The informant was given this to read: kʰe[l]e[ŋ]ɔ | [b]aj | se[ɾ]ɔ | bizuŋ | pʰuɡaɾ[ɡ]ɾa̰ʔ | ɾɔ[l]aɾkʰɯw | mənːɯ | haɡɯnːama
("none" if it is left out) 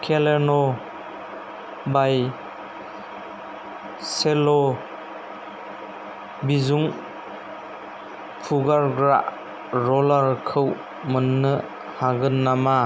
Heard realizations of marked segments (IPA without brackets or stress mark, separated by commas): l, n, b, l, ɡ, l